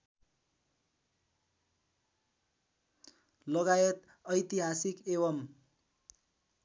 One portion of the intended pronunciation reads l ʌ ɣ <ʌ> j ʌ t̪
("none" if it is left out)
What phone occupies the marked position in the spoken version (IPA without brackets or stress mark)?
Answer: a